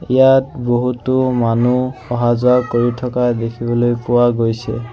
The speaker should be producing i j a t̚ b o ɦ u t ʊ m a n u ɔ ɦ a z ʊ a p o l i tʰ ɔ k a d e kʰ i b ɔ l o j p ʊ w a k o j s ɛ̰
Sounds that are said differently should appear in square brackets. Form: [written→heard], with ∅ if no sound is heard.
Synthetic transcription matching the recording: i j a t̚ b o ɦ u t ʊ m a n u ɔ ɦ a z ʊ a [p→k] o [l→ɹ] i tʰ ɔ k a d e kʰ i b ɔ l o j p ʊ w a [k→ɡ] o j s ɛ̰